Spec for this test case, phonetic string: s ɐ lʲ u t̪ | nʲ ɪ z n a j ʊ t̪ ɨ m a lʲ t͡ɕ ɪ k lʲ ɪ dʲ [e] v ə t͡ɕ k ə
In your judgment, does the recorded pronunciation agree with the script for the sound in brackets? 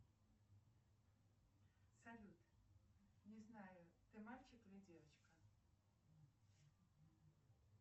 yes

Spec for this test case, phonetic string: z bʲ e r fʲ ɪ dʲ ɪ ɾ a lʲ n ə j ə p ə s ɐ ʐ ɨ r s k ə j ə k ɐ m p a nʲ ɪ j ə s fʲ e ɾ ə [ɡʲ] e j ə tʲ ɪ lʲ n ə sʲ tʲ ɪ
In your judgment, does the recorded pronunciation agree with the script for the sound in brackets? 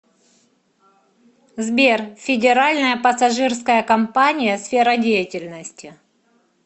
no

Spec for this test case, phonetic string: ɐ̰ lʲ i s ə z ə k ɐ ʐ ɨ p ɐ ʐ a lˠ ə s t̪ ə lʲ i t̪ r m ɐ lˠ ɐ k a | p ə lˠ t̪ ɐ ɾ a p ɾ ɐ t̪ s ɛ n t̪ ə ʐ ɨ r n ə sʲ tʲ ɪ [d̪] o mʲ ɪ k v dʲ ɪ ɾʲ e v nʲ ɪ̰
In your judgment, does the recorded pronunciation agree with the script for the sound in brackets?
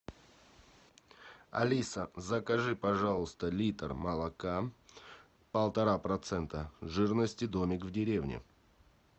yes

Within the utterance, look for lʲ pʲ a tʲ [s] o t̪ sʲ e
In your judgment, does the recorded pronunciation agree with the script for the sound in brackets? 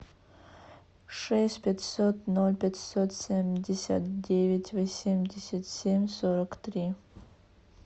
yes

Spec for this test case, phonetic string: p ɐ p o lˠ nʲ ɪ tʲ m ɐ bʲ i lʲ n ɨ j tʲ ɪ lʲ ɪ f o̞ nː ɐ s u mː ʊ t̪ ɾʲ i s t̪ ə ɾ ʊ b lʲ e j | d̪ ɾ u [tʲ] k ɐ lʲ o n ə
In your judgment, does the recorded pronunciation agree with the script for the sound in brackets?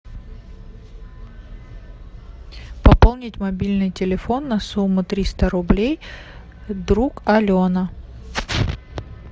no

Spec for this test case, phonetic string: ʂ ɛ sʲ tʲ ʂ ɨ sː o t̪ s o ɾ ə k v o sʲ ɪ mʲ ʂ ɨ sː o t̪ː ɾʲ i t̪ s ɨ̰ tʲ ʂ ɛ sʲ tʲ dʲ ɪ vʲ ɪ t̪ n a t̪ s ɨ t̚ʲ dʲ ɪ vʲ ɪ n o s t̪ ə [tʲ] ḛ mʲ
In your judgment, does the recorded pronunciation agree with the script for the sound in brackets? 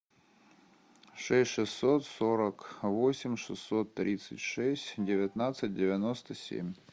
no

